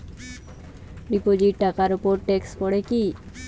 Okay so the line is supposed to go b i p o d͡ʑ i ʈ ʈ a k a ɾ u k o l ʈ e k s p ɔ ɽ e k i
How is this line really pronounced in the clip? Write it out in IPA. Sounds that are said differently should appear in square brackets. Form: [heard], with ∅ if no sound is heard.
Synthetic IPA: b i p o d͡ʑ i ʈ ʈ a k a ɾ u [p] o [ɾ] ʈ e k s p ɔ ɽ e k i